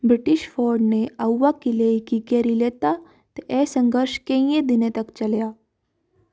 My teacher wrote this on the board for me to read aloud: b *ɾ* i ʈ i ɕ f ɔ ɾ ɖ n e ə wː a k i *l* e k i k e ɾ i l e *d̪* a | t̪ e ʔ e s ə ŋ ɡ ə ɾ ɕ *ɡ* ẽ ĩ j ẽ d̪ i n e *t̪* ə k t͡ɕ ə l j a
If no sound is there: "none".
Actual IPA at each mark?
ɾ, l, t̪, k, t̪

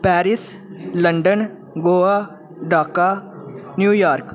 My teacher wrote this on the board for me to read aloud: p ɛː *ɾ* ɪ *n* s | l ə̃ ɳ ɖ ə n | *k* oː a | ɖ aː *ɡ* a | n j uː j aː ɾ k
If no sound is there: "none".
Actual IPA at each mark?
ɾ, none, ɡ, k

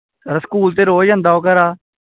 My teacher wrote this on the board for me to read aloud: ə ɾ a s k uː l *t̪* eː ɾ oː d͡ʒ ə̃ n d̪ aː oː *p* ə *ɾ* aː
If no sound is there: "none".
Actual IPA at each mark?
t̪, k, ɾ

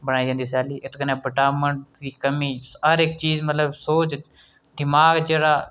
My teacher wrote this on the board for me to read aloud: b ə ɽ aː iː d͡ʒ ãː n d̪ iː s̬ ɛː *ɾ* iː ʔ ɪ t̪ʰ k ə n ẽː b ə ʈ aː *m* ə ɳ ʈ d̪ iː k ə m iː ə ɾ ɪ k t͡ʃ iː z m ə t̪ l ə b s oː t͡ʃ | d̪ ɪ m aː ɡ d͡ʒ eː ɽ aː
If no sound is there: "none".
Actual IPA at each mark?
l, m

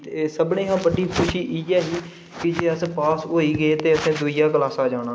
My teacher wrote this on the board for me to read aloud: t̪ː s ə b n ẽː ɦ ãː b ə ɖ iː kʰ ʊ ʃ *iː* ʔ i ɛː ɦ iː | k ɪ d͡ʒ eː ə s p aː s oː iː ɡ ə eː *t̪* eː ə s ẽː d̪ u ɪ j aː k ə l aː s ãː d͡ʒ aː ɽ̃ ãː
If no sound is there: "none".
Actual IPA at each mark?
iː, t̪

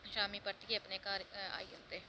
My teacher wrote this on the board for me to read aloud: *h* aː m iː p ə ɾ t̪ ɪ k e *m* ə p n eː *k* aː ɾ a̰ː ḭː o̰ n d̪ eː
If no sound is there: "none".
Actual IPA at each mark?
ʃ, none, k

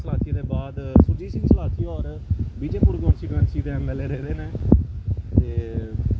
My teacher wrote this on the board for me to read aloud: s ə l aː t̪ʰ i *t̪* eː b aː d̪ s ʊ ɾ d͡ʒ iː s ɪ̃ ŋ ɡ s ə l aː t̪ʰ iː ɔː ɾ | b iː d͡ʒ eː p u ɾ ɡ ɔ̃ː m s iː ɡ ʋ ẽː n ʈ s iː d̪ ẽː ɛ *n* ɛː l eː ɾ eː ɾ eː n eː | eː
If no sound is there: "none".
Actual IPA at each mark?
d̪, m

